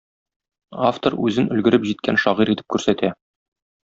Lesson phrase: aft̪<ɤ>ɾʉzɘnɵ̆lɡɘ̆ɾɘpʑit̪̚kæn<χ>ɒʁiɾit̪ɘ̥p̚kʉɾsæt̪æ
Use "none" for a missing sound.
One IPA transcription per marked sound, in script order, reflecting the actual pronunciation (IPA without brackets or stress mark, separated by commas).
o, ʃ